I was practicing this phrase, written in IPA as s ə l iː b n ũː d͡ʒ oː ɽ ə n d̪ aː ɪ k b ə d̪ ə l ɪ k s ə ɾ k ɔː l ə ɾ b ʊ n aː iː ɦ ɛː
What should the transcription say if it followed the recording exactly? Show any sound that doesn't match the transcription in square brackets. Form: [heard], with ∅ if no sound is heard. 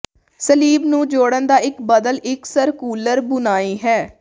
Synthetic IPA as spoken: s ə l iː b n ũː d͡ʒ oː ɽ ə n d̪ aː ɪ k b ə d̪ ə l ɪ k s ə ɾ k [uː] l ə ɾ b ʊ n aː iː ɦ ɛː